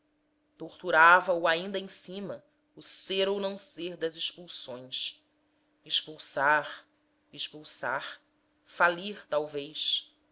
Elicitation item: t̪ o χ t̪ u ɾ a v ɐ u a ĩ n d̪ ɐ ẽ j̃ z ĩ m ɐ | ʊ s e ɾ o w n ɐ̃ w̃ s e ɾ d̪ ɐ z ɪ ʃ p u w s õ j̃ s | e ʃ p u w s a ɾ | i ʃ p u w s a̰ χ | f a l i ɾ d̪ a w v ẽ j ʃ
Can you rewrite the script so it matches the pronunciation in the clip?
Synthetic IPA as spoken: t̪ o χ t̪ u ɾ a v ɐ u a ĩ n d̪ ɐ ẽ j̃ s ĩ m ɐ | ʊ s e ɾ o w n ɐ̃ w̃ s e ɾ d̪ ɐ z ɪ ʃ p u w s õ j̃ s | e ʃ p u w s a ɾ | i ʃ p u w s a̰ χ | f a l i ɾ t̪ a w v e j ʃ